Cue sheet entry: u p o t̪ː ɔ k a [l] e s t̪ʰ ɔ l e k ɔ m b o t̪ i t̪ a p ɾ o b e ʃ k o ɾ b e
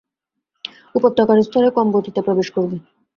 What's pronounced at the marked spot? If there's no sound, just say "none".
ɾ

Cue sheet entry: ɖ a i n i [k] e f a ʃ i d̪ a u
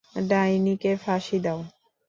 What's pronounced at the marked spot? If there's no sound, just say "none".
k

